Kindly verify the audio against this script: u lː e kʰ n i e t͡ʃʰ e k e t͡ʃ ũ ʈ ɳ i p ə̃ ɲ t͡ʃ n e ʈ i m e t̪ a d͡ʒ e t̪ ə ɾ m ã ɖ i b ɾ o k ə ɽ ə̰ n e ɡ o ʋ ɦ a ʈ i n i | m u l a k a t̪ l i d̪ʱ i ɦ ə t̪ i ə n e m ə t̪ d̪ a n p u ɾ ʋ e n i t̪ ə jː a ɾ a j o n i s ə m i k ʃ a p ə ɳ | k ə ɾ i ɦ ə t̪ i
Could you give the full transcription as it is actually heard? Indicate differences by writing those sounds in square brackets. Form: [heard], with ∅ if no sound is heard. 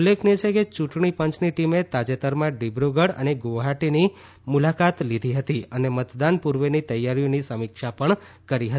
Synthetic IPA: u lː e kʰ n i e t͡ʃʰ e k e t͡ʃ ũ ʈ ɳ i p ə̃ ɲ t͡ʃ n [i] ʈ i m e t̪ a d͡ʒ e t̪ ə ɾ m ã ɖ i b ɾ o [ɡ] ə ɽ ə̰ n e ɡ o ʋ ɦ a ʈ i n i | m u l a k a t̪ l i d̪ʱ i ɦ ə t̪ i ə n e m ə t̪ d̪ a n p u ɾ ʋ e n i t̪ ə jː a ɾ [i] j o n i s ə m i k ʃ a p ə ɳ | k ə ɾ i ɦ ə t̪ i